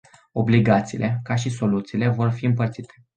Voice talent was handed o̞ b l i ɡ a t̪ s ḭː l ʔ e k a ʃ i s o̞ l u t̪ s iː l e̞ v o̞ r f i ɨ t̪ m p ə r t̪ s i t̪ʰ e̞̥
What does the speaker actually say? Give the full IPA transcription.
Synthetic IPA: o̞ b l i ɡ a t̪ s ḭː l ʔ e k a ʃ i s o̞ l u t̪ s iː l e̞ v o̞ r f i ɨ m p ə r t̪ s i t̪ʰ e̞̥